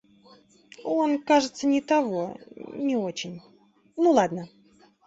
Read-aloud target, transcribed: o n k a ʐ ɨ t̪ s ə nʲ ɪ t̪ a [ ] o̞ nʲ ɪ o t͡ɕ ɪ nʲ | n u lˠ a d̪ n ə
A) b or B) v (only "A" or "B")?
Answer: B